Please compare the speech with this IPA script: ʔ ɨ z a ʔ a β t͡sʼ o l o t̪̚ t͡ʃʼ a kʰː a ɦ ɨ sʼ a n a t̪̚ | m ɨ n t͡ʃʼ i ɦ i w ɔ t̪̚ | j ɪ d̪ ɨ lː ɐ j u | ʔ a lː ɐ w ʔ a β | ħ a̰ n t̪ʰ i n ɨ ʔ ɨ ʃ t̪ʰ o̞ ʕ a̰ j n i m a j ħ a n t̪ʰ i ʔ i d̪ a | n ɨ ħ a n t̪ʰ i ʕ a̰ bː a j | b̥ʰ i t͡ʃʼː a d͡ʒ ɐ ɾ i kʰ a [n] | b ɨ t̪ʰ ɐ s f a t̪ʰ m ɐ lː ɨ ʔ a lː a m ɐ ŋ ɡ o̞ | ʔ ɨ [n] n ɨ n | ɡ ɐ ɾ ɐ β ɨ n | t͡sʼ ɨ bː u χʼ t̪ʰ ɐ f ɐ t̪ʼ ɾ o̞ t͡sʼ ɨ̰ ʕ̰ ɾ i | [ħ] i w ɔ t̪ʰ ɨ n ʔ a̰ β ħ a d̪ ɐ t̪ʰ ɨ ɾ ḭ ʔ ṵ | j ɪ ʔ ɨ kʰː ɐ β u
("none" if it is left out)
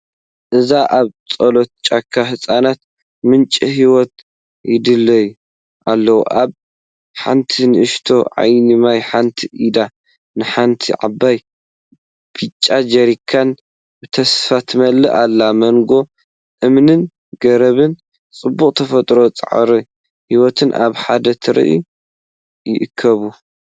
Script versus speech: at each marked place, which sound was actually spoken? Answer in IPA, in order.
n, m, h

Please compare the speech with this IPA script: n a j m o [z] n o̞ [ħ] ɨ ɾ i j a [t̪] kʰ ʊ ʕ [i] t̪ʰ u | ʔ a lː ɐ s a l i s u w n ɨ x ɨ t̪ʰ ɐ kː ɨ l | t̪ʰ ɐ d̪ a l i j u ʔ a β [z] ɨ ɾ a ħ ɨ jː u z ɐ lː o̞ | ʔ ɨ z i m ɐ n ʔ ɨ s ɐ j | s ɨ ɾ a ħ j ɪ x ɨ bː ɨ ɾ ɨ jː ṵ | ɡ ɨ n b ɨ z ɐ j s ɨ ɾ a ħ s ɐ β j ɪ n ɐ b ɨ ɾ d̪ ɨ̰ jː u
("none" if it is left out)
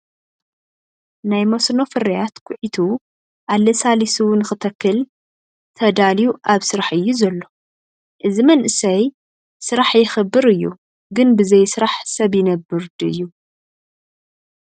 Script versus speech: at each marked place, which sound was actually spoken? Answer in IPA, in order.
s, f, t̪, i, s

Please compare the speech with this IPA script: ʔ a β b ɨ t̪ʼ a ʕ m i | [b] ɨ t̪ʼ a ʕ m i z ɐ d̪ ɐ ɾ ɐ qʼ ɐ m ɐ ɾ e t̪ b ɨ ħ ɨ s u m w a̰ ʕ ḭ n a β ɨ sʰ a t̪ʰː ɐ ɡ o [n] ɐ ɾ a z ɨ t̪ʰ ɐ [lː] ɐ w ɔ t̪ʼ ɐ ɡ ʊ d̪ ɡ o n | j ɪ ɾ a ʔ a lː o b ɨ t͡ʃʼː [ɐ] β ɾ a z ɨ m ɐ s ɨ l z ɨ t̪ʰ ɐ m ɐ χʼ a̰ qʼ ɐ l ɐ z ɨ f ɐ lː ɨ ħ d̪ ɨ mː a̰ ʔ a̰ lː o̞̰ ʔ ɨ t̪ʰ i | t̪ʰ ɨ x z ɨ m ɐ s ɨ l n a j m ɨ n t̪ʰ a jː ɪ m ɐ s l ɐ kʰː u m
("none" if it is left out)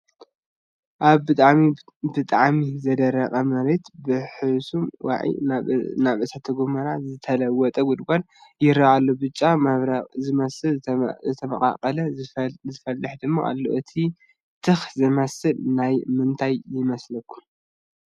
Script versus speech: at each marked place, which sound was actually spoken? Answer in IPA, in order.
b, m, l, a

